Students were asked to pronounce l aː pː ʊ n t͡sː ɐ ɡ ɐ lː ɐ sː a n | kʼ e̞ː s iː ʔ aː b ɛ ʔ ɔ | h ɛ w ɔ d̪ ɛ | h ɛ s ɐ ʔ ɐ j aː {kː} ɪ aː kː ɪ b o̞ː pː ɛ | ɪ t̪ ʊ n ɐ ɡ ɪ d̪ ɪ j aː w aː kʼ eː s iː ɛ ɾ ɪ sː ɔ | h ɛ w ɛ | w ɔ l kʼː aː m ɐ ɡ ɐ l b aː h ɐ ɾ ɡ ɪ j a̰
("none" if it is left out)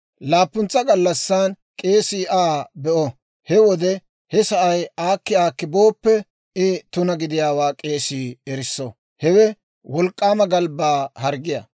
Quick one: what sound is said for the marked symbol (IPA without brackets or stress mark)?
kː